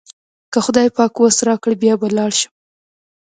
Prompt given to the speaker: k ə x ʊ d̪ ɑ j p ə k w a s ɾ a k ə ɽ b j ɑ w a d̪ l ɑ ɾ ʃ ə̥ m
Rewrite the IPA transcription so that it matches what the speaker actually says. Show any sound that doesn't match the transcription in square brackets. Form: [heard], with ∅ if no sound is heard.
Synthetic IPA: k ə x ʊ d̪ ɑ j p [ɑ] k w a s ɾ [ɑ] k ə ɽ b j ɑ [b] a [∅] l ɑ [ɽ] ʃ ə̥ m

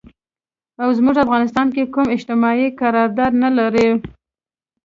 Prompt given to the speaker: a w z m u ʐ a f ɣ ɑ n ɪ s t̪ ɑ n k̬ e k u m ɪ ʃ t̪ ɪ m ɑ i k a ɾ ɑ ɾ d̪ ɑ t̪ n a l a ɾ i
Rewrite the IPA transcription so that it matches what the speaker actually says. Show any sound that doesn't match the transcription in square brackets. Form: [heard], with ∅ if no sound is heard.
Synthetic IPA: a w z m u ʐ a f ɣ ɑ n ɪ s t̪ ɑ n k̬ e k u m ɪ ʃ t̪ ɪ m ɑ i k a ɾ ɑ ɾ d̪ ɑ [d̪] n a l a ɾ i

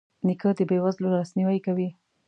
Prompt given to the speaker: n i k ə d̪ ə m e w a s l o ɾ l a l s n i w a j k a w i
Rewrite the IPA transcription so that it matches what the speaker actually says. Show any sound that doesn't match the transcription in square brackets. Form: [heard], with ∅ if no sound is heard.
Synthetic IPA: n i k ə d̪ ə [b] e w a [z] l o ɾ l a [∅] s n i w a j k a w i

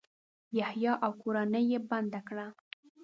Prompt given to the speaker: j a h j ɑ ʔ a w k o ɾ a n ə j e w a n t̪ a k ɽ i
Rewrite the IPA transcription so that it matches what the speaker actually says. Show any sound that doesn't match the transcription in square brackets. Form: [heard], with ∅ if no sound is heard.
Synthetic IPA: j a h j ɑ ʔ a w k o ɾ a n ə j e [b] a n [d̪] a k ɽ [a]

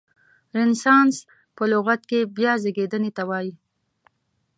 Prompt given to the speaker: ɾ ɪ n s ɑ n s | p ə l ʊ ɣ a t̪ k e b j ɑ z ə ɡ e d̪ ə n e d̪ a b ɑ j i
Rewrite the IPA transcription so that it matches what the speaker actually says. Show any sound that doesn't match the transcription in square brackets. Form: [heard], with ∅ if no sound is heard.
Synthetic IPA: ɾ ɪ n s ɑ n s | p ə l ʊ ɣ a t̪ k e b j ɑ z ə ɡ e d̪ ə n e [t̪] a [w] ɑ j i

